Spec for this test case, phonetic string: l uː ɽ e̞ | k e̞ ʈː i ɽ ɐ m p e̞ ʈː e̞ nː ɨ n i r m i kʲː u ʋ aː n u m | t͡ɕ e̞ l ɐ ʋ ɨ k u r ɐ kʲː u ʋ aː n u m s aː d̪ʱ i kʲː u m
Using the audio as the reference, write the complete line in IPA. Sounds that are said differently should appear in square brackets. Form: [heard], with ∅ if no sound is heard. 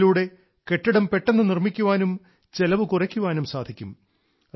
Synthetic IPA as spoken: l uː ɽ e̞ | k e̞ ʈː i ɽ ɐ m p e̞ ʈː e̞ nː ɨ n i r m i kʲː u ʋ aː n u m | t͡ɕ e̞ l ɐ ʋ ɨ k u r ɐ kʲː u ʋ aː n u m s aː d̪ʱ i kʲː u m